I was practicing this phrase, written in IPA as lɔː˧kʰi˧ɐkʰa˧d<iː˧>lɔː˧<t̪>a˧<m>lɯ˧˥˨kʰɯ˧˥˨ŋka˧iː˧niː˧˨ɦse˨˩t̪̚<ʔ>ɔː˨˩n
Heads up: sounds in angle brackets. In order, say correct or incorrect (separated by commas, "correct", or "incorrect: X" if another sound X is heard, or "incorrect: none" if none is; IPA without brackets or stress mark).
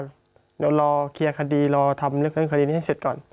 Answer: correct, incorrect: t̪ʰ, correct, incorrect: k